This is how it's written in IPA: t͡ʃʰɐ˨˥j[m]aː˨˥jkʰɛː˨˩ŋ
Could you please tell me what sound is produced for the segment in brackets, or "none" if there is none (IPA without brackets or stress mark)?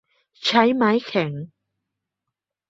m